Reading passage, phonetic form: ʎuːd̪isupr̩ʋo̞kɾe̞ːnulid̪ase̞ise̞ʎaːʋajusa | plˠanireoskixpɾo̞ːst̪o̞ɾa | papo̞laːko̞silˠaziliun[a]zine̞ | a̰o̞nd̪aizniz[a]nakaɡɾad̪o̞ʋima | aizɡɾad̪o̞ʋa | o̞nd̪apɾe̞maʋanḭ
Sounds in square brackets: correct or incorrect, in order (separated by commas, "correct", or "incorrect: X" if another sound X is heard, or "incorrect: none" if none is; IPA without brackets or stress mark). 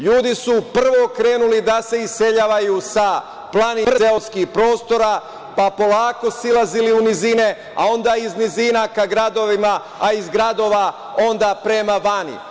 incorrect: i, incorrect: i